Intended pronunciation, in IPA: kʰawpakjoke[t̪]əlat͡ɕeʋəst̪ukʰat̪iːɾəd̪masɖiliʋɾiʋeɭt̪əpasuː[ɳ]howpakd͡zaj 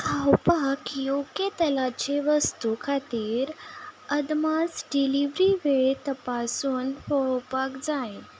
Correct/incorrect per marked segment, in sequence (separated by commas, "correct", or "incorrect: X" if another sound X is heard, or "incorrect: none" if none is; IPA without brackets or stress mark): correct, incorrect: n